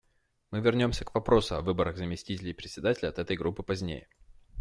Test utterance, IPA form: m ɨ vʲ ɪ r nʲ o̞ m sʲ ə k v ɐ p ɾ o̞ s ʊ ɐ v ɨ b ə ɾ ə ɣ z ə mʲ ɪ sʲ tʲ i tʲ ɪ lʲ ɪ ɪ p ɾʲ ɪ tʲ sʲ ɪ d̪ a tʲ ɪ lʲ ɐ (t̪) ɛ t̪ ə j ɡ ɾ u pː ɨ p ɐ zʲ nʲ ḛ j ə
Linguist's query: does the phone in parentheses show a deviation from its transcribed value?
no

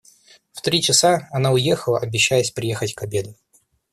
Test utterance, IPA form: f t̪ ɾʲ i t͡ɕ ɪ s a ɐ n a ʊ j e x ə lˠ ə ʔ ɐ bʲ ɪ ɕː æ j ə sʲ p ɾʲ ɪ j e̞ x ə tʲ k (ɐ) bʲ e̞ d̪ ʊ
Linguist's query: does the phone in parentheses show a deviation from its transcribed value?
no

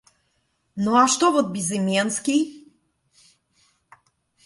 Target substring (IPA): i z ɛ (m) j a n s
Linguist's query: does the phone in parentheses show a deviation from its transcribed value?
no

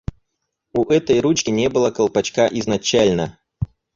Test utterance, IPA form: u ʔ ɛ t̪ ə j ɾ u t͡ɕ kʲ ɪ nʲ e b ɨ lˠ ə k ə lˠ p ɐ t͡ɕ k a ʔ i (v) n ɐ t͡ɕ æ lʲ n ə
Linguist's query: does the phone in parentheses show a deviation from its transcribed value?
yes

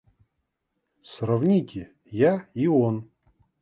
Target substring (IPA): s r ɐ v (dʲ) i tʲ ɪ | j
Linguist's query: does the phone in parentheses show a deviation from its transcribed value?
yes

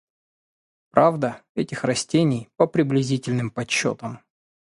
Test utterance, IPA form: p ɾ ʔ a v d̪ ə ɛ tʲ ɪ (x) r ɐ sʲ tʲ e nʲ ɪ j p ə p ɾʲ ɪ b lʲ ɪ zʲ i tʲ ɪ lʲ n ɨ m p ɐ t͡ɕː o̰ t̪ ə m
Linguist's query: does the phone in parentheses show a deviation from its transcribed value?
no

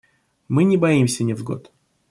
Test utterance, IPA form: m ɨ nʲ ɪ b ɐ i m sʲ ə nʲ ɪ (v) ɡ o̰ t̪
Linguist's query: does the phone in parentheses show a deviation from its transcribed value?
no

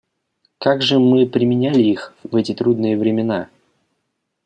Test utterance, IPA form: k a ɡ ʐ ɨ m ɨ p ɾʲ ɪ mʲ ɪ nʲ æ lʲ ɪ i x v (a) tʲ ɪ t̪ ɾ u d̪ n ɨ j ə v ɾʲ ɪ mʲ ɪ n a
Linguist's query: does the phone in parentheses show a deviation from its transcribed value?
yes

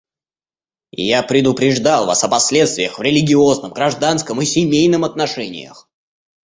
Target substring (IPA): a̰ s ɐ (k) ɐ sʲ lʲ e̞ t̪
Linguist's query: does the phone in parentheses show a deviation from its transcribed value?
yes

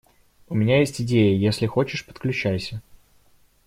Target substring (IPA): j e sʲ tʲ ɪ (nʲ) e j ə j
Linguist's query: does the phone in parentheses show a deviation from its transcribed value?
yes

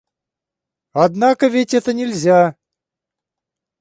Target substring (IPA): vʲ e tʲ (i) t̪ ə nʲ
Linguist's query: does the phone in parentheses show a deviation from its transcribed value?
yes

